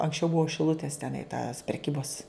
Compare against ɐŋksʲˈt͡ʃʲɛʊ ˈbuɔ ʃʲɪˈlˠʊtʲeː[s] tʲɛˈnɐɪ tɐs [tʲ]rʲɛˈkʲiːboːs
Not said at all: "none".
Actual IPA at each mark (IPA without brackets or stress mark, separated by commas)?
s, pʲ